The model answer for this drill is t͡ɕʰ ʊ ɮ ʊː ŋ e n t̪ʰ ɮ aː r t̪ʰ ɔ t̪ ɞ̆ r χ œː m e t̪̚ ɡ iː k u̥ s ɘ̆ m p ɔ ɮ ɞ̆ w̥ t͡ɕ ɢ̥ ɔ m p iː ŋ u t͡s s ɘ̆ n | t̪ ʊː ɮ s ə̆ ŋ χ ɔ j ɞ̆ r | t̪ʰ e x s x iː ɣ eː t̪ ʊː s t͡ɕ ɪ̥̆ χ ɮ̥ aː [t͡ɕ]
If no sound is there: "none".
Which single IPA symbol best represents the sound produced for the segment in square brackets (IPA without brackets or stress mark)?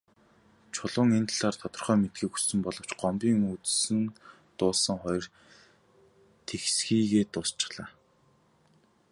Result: none